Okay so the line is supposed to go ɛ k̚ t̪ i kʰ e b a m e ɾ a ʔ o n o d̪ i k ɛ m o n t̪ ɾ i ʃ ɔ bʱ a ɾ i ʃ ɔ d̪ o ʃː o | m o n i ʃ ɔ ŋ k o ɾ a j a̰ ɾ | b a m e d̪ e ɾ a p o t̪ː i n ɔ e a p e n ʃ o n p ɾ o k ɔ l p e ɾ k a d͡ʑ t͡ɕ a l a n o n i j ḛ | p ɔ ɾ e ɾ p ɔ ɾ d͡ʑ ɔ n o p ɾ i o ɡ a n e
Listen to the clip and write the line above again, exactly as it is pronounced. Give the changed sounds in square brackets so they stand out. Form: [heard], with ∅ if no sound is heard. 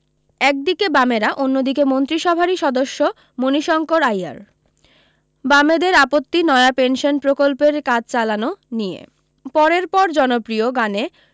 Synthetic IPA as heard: ɛ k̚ [d̪] i [k] e b a m e ɾ a ʔ o [nː] o d̪ i k [e] m o n t̪ ɾ i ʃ ɔ bʱ a ɾ i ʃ ɔ d̪ o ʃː o | m o n i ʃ ɔ ŋ k o ɾ a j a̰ ɾ | b a m e d̪ e ɾ a p o t̪ː i n ɔ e a p e n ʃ o n p ɾ o k [o] l p e ɾ k a d͡ʑ t͡ɕ a l a n o n i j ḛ | p ɔ ɾ e ɾ p ɔ ɾ d͡ʑ ɔ n o p ɾ i o ɡ a n e

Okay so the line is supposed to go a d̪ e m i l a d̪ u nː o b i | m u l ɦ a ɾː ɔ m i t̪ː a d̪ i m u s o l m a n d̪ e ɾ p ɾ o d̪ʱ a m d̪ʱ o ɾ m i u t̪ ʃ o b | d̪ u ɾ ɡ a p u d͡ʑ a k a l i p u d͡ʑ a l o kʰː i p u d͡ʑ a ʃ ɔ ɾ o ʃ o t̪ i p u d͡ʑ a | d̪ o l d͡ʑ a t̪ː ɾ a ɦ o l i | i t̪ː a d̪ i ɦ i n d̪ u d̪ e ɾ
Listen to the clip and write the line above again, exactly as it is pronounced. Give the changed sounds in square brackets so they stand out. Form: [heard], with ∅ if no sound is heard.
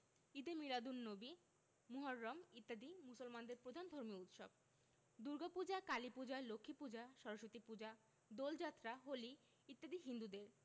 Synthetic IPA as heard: [i] d̪ e m i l a d̪ u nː o b i | m u [∅] ɦ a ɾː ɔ m i t̪ː a d̪ i m u s o l m a n d̪ e ɾ p ɾ o d̪ʱ a [n] d̪ʱ o ɾ m i u t̪ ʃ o b | d̪ u ɾ ɡ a p u d͡ʑ a k a l i p u d͡ʑ a l o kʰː i p u d͡ʑ a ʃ ɔ ɾ o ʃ o t̪ i p u d͡ʑ a | d̪ o l d͡ʑ a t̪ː ɾ a ɦ o l i | i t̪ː a d̪ i ɦ i n d̪ u d̪ e ɾ

